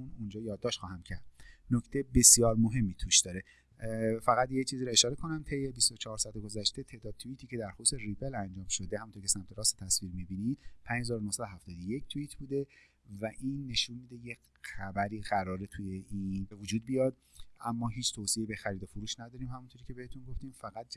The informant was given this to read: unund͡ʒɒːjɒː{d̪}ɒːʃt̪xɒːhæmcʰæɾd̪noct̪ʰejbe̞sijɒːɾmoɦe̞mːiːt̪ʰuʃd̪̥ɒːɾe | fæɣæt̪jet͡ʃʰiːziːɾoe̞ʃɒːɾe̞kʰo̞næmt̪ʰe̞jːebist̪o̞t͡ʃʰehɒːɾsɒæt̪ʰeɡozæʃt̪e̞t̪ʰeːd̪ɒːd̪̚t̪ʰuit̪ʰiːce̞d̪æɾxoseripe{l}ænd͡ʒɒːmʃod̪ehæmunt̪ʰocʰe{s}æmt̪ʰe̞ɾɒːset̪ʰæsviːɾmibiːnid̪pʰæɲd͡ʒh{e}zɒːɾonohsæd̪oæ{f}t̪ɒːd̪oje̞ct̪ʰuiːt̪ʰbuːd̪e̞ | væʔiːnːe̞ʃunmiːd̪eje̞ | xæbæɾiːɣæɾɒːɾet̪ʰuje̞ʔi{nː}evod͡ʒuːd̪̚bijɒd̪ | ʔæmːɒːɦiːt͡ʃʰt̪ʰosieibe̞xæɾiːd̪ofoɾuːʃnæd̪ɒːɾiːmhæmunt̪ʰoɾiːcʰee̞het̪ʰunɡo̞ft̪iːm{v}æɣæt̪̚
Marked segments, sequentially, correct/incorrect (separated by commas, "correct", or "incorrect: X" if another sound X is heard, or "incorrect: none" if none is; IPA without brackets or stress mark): incorrect: d̪ː, correct, correct, correct, correct, incorrect: n, incorrect: f